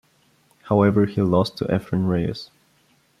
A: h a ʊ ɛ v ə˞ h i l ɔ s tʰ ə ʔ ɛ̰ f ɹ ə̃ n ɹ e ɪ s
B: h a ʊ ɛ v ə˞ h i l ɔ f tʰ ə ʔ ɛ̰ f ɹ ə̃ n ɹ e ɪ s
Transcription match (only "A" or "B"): A